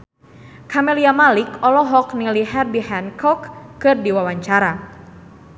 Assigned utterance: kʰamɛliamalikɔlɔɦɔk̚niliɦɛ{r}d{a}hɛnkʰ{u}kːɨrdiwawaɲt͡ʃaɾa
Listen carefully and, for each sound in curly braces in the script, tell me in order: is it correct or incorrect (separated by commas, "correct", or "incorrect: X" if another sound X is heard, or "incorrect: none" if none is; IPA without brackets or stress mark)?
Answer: correct, incorrect: i, incorrect: ɔ